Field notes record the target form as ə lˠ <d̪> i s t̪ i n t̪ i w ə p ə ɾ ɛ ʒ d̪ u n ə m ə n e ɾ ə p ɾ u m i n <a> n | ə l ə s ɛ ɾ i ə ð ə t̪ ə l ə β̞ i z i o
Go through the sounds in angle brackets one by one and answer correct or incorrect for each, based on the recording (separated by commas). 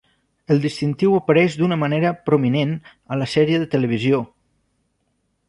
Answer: correct, incorrect